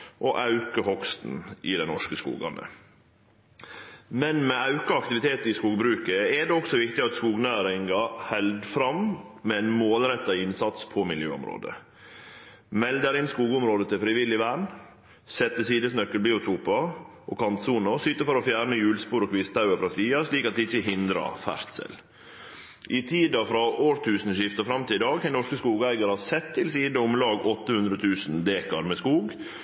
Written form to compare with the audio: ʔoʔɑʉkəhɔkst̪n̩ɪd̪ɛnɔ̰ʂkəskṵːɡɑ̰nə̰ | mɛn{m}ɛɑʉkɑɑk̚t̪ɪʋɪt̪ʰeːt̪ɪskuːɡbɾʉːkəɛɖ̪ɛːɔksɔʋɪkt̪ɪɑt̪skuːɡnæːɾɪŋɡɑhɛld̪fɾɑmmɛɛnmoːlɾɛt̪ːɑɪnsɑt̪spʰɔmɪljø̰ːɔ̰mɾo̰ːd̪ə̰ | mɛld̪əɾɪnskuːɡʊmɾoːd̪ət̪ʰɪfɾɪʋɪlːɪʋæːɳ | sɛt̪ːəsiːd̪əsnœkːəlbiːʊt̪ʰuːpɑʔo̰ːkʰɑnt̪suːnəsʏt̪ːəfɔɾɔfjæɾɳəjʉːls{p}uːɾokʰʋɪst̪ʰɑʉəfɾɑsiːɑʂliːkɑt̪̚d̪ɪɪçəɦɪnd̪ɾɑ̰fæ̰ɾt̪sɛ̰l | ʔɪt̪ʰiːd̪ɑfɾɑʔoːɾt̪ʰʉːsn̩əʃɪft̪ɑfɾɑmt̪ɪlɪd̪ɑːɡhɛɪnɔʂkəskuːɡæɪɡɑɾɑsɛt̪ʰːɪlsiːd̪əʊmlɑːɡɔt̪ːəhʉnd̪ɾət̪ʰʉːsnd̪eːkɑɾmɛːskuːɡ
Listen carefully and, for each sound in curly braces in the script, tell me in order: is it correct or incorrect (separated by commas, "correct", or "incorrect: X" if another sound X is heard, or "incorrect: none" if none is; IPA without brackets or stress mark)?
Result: correct, correct